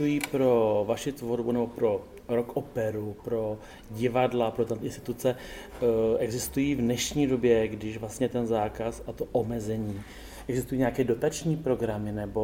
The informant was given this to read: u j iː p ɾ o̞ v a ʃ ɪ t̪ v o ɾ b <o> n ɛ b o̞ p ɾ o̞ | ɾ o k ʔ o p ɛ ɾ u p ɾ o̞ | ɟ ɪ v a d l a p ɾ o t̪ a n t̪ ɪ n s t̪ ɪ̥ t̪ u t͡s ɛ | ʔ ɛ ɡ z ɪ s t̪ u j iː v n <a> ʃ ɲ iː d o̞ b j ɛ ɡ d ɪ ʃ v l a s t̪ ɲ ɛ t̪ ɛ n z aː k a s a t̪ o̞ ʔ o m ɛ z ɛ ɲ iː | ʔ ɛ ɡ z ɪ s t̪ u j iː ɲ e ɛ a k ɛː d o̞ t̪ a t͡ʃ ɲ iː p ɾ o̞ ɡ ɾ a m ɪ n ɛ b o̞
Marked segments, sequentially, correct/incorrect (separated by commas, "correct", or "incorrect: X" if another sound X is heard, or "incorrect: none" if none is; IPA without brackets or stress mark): incorrect: u, incorrect: ɛ